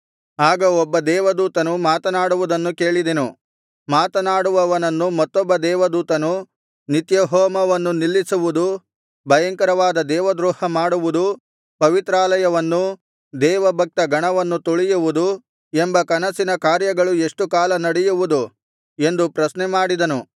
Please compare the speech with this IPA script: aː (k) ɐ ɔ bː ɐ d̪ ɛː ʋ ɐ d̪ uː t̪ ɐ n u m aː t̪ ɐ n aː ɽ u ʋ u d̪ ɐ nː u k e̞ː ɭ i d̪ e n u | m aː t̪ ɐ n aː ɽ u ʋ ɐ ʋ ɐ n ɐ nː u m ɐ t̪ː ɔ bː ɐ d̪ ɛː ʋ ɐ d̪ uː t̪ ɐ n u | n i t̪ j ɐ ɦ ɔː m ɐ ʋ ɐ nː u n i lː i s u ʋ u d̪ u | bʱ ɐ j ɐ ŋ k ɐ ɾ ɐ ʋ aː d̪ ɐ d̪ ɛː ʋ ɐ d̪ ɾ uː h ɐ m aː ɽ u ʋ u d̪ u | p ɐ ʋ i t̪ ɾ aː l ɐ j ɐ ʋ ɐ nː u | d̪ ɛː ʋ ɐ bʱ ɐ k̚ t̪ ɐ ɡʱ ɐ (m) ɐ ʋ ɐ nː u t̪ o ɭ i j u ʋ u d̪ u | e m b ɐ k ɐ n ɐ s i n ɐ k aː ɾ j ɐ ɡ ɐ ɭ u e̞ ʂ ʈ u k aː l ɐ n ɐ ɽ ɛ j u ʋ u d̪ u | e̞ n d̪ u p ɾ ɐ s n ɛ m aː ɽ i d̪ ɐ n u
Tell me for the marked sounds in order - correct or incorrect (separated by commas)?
incorrect, incorrect